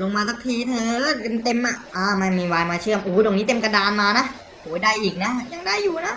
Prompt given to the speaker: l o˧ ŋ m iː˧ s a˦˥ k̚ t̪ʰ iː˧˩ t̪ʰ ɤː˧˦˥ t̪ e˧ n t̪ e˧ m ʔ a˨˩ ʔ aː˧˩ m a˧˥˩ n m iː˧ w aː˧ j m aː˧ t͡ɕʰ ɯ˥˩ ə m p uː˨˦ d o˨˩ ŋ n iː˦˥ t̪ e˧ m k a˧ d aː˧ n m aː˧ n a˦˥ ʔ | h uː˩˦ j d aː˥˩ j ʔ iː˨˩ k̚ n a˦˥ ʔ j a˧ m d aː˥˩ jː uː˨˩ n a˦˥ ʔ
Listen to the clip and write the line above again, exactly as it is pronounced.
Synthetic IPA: l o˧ ŋ m aː˧ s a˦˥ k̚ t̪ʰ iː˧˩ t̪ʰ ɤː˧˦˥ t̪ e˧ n t̪ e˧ m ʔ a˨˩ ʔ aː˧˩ m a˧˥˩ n m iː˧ w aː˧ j m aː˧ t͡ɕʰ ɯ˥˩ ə m ʔ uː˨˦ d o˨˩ ŋ n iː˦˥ t̪ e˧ m k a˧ d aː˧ n m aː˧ n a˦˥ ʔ | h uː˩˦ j d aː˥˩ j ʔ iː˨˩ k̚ n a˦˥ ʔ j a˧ ŋ d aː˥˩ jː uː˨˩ n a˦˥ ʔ